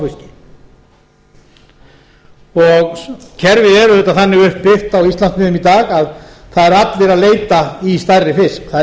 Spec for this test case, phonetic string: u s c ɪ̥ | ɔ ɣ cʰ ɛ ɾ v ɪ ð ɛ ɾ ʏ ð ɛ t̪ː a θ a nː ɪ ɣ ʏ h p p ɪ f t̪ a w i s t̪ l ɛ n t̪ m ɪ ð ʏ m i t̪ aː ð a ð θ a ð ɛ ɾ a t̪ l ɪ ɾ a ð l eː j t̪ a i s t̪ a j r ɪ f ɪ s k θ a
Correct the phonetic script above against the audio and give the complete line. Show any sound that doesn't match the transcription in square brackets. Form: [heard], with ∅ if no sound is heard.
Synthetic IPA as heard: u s c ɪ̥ | ɔ ɣ cʰ ɛ ɾ v ɪ ð ɛ ɾ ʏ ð ɛ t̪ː a θ a nː ɪ ɣ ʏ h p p ɪ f t̪ a w i s t̪ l [a] n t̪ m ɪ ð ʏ m i t̪ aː [ɣ] a ð θ a ð ɛ ɾ a t̪ l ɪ ɾ a ð l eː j t̪ a i s t̪ a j r ɪ f ɪ s k θ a